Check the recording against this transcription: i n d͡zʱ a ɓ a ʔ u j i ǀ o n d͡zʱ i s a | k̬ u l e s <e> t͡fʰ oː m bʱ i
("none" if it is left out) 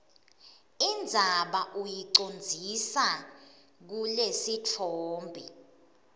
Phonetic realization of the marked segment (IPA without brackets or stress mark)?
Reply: i